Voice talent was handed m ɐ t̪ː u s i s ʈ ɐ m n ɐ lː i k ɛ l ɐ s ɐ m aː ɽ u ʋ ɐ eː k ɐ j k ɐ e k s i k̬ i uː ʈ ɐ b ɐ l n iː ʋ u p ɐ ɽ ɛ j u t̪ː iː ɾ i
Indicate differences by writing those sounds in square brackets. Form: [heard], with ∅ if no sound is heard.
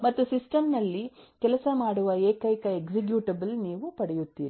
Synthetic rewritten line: m ɐ t̪ː u s i s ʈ ɐ m n ɐ lː i k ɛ l ɐ s ɐ m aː ɽ u ʋ ɐ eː k ɐ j k ɐ e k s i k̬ [j] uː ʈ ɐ b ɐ l n iː ʋ u p ɐ ɽ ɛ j u t̪ː iː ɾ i